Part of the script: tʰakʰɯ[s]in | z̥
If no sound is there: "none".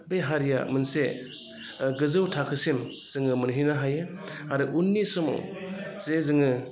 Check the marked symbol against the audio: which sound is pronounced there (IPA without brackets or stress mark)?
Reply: s